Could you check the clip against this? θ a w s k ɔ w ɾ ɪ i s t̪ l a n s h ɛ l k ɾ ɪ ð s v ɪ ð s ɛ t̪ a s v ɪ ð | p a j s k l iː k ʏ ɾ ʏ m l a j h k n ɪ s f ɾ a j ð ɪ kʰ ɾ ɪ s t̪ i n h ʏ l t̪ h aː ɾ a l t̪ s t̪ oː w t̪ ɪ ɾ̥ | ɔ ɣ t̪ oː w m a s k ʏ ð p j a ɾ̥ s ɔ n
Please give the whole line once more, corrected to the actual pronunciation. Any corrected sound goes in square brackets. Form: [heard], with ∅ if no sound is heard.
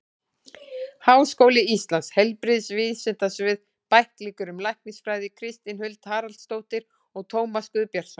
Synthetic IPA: [h] a w s k [o] w [l] ɪ i s t̪ l a n s h ɛ l [p] ɾ ɪ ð s v ɪ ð s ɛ t̪ a s v ɪ ð | p a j [h] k l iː k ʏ ɾ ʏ m l a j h k n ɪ s f ɾ a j ð ɪ kʰ ɾ ɪ s t̪ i n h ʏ l t̪ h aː ɾ a l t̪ s t̪ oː w t̪ ɪ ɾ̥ | ɔ ɣ [t̪ʰ] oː w m a s k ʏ ð p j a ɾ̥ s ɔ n